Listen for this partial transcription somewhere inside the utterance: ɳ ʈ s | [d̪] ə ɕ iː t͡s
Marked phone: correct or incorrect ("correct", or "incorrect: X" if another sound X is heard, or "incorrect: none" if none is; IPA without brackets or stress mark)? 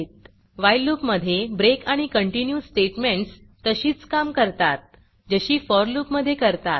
incorrect: t̪